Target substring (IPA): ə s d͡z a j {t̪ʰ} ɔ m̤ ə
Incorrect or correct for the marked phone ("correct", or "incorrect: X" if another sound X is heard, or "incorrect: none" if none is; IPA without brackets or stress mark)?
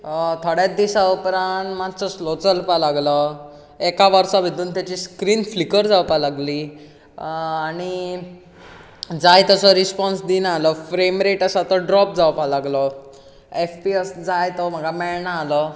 incorrect: t̪